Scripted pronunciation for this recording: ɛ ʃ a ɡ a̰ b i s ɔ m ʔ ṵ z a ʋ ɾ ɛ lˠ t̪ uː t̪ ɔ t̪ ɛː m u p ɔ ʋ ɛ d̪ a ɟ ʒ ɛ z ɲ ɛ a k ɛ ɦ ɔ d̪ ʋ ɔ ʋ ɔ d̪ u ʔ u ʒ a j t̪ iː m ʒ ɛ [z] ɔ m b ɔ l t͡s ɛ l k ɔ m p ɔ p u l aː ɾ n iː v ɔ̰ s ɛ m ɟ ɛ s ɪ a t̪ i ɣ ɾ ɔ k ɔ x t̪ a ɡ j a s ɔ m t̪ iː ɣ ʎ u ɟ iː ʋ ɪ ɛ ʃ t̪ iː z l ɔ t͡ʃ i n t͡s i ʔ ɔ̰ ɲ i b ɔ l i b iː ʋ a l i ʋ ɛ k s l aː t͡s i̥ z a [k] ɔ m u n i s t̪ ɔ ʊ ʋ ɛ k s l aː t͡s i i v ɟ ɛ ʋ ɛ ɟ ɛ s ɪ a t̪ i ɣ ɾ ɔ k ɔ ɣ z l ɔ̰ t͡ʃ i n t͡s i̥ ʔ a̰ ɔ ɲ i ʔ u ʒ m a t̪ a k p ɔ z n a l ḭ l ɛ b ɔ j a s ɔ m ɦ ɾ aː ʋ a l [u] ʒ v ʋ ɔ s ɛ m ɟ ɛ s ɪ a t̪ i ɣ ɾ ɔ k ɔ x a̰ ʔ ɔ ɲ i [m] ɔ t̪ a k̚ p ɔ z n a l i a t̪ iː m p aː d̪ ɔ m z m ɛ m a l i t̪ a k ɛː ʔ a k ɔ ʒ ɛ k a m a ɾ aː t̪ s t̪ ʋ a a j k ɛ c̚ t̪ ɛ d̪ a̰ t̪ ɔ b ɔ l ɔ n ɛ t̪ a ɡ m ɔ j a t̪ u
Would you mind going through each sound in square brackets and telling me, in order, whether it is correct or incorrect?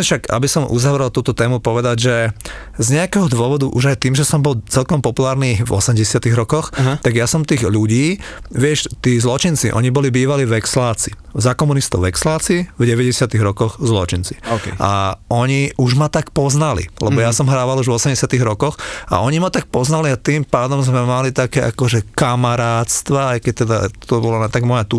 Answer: incorrect: s, correct, correct, correct

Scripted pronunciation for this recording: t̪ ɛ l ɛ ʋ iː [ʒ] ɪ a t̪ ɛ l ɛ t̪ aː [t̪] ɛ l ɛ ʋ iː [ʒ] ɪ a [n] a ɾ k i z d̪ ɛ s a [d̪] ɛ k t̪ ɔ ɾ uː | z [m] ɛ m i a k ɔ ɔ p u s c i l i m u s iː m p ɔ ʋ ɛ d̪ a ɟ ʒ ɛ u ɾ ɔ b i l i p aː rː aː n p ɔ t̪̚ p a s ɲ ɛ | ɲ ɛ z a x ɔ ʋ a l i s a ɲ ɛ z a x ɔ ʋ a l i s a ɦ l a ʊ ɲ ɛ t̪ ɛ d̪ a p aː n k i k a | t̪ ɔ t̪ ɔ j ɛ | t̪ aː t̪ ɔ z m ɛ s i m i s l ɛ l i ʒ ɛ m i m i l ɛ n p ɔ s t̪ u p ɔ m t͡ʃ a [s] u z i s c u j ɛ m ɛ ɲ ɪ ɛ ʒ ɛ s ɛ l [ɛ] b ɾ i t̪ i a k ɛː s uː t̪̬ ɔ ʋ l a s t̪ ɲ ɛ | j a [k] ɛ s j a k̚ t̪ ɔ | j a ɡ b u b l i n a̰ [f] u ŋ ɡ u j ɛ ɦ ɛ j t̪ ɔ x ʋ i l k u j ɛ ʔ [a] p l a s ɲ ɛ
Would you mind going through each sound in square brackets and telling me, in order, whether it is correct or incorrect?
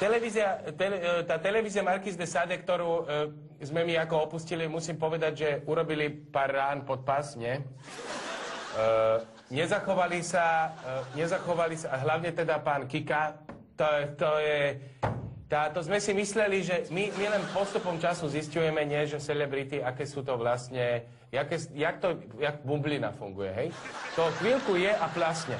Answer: incorrect: z, correct, incorrect: z, incorrect: m, correct, correct, correct, correct, correct, correct, correct

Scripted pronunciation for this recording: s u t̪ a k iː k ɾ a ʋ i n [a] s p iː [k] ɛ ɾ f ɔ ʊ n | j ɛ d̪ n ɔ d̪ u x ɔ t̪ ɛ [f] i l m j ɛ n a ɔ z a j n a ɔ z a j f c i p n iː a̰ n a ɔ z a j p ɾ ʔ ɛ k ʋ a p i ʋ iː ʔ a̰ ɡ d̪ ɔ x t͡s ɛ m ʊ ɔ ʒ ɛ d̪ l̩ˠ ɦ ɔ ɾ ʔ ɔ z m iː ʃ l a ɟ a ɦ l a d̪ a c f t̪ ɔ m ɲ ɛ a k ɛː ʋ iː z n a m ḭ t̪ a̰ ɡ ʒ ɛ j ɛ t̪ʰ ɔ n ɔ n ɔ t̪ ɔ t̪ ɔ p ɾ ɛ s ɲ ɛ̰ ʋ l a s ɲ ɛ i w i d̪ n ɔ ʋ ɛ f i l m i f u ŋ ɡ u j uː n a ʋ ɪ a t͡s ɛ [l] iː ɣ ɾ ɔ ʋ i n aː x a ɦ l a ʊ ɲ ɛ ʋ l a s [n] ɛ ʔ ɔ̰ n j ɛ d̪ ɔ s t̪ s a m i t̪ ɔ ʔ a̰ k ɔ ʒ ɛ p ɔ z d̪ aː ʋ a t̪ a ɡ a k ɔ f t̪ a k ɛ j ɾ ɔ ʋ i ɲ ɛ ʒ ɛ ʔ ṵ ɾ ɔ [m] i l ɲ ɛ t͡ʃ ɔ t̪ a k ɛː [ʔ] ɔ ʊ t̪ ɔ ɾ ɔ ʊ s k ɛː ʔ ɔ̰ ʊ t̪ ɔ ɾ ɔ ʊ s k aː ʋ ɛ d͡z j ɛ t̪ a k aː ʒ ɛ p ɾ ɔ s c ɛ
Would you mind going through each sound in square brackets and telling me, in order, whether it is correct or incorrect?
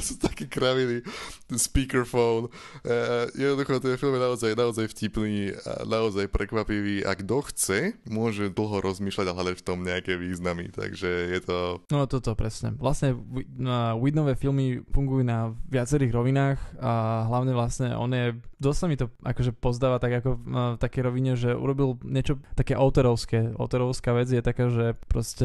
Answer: incorrect: i, correct, correct, incorrect: ɾ, incorrect: ɲ, incorrect: b, correct

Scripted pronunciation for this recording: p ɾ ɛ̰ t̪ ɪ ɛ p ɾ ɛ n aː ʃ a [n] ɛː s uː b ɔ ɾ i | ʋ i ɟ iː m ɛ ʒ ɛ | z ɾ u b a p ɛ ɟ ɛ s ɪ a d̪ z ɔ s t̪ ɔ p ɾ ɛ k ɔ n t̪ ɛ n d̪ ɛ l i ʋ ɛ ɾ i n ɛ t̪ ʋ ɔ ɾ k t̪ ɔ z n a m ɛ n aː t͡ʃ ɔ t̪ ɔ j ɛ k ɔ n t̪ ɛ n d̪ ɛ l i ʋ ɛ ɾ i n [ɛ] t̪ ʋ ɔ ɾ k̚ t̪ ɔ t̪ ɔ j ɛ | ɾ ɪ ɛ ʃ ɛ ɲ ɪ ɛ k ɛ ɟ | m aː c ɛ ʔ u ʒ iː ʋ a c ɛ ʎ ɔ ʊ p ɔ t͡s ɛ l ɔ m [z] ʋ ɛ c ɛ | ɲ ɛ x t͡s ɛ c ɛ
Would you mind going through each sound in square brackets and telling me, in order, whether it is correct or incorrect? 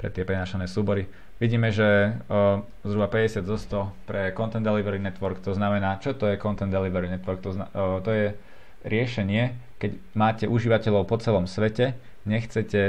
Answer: correct, correct, incorrect: s

